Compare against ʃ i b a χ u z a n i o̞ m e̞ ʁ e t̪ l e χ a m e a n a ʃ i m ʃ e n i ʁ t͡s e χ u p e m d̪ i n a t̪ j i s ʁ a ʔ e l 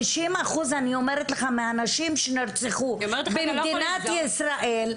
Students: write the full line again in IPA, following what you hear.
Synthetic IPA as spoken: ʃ i m a χ u z a n i o̞ m e̞ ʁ e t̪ l e χ a m e a n a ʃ i m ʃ e n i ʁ t͡s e χ u b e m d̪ i n a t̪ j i s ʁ a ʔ e l